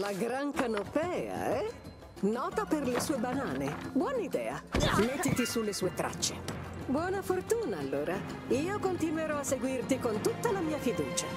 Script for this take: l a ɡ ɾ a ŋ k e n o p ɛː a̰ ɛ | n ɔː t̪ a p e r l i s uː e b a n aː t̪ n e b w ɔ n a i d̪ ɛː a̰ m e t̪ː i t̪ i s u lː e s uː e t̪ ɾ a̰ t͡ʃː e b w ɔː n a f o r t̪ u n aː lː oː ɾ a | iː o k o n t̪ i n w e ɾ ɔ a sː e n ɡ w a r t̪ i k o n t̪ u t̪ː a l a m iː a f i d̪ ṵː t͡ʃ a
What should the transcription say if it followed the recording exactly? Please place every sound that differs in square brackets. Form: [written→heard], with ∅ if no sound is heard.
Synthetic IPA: l a ɡ ɾ a ŋ k [e→a] n o p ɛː a̰ ɛ | n ɔː t̪ a p e r l [i→e] s uː e b a n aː [t̪→∅] n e b w ɔ n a i d̪ ɛː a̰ m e t̪ː i t̪ i s u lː e s uː e t̪ ɾ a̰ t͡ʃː e b w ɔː n a f o r t̪ [u→uː] n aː lː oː ɾ a | iː o k o n t̪ i n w e ɾ ɔ a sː e [n→∅] ɡ w [a→i] r t̪ i k o n t̪ u t̪ː a l a m iː a f i d̪ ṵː t͡ʃ a